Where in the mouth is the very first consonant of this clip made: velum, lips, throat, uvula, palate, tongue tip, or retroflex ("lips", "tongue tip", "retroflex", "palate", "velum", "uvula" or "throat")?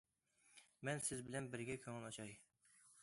lips